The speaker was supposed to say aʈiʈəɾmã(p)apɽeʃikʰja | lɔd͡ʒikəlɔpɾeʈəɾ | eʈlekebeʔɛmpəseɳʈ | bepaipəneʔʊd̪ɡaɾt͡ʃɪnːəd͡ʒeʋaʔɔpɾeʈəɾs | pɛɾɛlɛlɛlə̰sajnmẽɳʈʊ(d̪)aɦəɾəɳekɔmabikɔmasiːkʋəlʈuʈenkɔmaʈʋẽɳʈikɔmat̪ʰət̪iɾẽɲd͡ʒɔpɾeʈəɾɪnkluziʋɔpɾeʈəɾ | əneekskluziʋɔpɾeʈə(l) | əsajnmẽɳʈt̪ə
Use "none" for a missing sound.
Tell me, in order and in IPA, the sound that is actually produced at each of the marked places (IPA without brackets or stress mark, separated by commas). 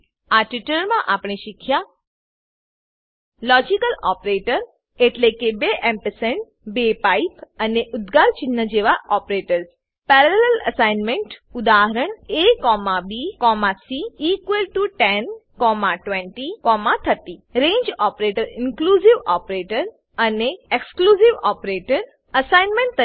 ʔ, d̪, ɾ